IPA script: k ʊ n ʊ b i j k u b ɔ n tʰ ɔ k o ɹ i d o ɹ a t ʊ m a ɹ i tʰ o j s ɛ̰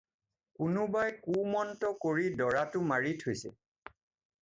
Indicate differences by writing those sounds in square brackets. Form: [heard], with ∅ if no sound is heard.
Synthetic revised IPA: k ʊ n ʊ b [a] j k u [m] ɔ n [t] ɔ k o ɹ i d [ɔ] ɹ a t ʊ m a ɹ i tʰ o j s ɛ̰